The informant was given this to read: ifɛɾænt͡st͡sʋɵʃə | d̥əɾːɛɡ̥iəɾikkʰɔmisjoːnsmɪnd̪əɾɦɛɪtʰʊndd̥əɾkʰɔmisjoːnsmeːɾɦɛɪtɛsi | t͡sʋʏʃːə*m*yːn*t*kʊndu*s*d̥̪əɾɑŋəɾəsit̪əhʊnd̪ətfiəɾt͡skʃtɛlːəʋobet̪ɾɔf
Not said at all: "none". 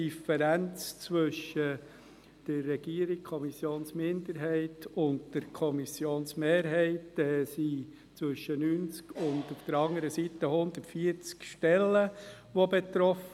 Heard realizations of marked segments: n, t͡s, f

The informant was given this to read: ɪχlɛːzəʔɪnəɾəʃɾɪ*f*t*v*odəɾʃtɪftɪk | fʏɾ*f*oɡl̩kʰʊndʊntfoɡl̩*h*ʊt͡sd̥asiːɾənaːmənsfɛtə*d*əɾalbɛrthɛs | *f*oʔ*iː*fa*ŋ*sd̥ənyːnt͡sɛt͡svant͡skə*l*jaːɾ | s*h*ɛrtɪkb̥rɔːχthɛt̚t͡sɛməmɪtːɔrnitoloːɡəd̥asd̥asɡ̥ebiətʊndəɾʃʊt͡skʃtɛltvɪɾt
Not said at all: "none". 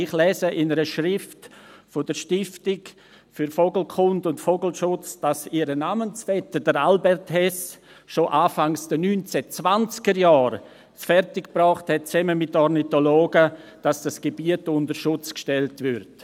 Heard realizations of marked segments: f, f, f, ʃ, d, ʃ, aː, ŋ, ɾ, f

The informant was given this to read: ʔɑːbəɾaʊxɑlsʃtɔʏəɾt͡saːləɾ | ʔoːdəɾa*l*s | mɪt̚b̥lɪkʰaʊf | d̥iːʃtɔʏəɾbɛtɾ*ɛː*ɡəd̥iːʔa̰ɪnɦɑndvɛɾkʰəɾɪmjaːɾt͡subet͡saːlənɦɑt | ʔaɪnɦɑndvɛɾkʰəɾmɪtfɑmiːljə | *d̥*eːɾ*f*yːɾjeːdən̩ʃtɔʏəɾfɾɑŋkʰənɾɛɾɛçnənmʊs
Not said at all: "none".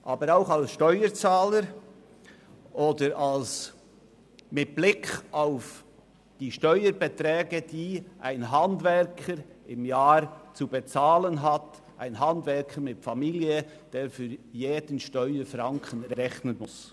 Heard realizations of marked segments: l, ɛː, d̥, f

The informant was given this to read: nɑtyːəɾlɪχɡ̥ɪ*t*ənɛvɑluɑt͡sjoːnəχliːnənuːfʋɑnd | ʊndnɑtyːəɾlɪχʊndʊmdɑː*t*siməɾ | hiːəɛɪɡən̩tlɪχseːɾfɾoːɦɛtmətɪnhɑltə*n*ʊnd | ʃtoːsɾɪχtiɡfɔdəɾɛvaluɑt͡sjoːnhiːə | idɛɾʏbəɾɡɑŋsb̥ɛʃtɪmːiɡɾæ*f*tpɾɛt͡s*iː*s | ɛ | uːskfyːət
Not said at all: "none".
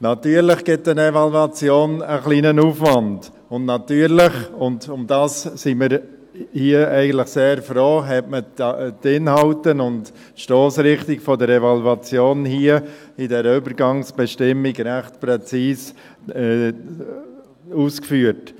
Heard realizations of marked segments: t, s, n, χ, iː

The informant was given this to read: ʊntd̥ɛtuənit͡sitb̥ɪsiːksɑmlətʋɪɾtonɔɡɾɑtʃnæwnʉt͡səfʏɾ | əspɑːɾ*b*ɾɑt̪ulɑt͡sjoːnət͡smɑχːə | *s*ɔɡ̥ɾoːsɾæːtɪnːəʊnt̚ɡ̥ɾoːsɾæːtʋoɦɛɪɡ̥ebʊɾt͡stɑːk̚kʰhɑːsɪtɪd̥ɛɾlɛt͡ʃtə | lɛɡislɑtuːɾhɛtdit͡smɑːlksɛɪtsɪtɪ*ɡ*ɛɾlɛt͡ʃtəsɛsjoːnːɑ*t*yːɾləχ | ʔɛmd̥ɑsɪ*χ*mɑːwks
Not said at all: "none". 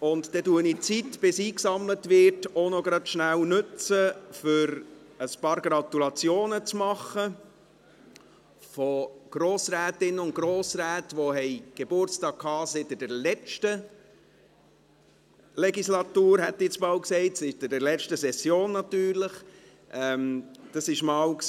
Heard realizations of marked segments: ɡ, f, d, t, ʃ

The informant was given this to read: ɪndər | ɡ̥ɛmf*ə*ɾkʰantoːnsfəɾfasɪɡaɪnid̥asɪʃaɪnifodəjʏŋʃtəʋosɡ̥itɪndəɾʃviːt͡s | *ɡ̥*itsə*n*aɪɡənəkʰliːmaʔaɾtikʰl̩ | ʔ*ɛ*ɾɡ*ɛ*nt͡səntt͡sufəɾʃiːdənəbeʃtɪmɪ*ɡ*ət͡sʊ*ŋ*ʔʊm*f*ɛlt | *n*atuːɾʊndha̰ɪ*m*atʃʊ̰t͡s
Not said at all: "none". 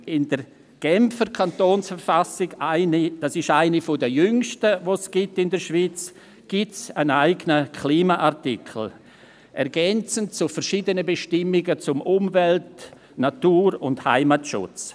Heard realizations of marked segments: ə, ɡ̥, n, ɛ, ɛ, ɡ, m, v, n, m

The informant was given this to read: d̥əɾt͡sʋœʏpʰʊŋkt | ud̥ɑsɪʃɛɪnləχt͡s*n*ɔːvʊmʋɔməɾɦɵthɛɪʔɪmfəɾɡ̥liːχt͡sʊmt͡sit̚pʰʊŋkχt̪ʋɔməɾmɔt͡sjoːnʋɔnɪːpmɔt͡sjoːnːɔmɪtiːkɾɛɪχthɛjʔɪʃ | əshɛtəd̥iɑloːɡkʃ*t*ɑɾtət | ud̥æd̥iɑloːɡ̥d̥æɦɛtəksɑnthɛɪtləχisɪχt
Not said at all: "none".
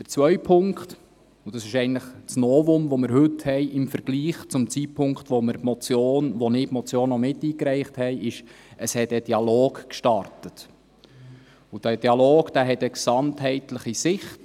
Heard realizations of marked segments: n, t

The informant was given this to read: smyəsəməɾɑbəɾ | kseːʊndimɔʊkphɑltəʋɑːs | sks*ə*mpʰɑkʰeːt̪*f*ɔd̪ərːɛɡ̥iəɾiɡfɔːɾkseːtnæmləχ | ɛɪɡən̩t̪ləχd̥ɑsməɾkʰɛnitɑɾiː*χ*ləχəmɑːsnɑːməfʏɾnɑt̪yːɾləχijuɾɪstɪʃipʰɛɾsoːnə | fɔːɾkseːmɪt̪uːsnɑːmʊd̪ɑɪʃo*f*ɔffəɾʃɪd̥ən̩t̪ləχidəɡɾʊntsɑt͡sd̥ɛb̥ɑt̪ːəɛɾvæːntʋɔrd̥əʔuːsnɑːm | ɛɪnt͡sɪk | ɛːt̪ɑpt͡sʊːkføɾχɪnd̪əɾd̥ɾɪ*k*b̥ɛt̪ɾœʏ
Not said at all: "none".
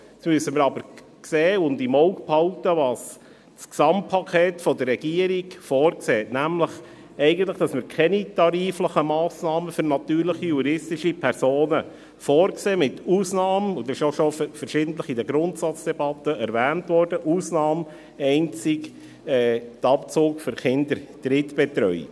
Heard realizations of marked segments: ɑ, f, f, ʃ, t

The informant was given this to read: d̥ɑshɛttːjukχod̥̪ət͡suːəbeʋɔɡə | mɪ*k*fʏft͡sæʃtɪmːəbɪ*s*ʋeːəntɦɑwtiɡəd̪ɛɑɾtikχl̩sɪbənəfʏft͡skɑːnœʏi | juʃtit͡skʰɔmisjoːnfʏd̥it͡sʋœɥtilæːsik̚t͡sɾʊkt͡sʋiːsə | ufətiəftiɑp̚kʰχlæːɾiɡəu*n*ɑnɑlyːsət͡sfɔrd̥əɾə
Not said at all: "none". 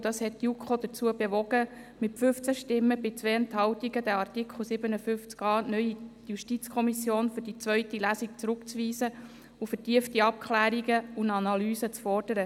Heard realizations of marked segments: t, t͡s, n

